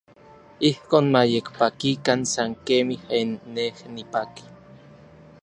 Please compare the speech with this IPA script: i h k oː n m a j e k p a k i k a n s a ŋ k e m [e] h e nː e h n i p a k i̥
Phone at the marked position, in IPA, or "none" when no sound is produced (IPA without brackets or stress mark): i